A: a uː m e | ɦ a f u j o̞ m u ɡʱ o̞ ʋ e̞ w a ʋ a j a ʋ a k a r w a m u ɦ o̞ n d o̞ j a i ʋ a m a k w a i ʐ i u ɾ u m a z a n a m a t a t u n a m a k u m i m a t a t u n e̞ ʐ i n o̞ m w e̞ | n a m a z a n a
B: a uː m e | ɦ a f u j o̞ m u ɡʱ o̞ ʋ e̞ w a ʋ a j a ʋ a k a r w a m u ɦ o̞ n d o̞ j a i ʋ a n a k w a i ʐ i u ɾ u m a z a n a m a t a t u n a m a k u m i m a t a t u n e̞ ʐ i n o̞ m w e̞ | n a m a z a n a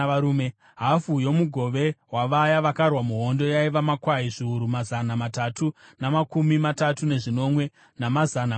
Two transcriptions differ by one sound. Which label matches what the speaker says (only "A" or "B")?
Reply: A